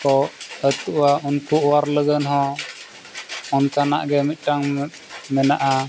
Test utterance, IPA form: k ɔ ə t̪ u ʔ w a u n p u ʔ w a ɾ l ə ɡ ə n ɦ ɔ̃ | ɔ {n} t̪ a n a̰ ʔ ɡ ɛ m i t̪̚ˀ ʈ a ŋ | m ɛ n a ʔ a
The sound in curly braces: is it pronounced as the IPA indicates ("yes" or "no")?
yes